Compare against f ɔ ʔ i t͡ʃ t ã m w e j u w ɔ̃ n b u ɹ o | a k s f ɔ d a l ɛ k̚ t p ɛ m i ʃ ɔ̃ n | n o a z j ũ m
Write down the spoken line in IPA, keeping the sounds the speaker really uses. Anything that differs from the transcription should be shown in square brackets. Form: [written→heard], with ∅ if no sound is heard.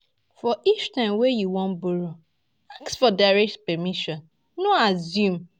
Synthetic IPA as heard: f ɔ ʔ i t͡ʃ t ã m w e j u w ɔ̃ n b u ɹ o | a k s f ɔ d a [l→ɹ] ɛ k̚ t p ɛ m i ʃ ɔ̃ n | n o a z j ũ m